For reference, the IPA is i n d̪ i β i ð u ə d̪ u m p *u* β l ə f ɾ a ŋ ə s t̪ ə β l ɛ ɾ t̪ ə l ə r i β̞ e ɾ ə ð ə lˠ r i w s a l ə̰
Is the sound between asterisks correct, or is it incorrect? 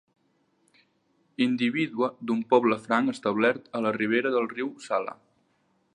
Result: incorrect